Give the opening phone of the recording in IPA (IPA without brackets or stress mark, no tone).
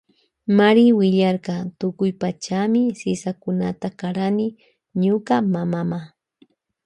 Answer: m